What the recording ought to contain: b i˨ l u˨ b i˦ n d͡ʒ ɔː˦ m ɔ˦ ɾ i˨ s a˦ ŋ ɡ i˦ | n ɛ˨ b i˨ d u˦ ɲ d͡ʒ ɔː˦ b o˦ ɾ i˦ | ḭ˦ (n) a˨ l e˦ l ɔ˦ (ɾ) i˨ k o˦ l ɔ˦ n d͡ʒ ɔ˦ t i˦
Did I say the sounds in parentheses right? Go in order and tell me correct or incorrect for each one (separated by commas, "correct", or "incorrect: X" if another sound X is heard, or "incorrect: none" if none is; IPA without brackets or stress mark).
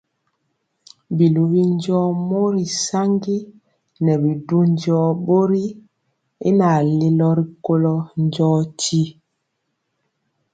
correct, correct